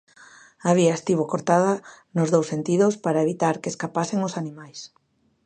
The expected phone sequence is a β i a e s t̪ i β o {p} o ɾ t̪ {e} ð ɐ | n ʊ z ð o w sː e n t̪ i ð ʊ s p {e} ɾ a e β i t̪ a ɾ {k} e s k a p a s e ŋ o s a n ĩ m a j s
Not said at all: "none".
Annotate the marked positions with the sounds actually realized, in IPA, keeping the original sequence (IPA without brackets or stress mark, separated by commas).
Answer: k, a, a, k